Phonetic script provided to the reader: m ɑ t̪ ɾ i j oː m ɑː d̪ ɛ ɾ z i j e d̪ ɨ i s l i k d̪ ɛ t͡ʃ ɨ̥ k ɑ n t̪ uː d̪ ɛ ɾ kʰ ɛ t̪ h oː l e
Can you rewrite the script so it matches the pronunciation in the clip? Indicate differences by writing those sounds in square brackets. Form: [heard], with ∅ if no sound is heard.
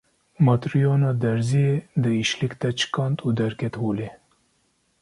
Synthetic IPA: m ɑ t̪ ɾ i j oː [n] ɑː d̪ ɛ ɾ z i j e d̪ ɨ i [ʃ] l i k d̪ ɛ t͡ʃ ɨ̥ k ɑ n t̪ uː d̪ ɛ ɾ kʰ ɛ t̪ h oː l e